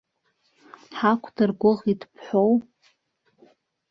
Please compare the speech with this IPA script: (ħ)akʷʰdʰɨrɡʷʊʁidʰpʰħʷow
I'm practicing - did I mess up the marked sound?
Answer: no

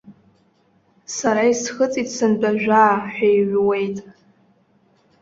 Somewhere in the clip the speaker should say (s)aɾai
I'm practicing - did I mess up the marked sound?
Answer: no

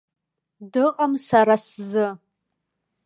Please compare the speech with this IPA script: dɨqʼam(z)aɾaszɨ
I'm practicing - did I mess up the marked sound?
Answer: yes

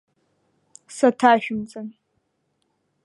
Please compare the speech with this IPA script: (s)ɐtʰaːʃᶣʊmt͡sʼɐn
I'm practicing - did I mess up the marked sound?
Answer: no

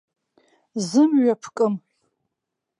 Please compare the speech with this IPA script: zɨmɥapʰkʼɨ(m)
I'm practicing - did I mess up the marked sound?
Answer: no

